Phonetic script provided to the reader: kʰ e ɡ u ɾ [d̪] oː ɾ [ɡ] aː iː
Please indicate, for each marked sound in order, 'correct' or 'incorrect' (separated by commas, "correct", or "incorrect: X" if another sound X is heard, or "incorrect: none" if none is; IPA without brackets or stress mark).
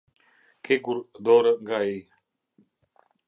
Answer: correct, correct